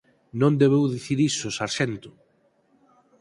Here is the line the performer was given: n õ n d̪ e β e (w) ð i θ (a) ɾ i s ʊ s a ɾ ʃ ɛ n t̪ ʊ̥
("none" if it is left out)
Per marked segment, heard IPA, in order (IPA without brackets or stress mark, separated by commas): w, i